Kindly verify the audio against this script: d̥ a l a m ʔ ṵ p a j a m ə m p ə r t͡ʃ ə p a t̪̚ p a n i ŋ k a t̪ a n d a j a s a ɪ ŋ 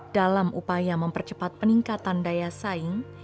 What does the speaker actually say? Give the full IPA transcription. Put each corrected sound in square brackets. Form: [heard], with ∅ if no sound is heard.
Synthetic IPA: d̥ a l a m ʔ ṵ p a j a m ə m p ə r t͡ʃ ə p a t̪̚ p [ə] n i ŋ k a t̪ a n d a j a s a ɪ ŋ